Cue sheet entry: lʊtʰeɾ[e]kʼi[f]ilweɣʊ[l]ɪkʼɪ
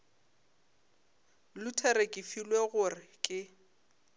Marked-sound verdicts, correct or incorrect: correct, correct, incorrect: r

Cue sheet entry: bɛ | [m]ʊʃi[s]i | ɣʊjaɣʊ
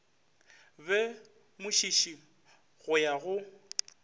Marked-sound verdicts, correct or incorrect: correct, incorrect: ʃ

